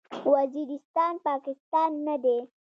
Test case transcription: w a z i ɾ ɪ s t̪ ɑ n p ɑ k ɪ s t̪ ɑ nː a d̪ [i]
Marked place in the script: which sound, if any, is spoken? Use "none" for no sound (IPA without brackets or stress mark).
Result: e